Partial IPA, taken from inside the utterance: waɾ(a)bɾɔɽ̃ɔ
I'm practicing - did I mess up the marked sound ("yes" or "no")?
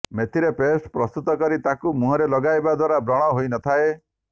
no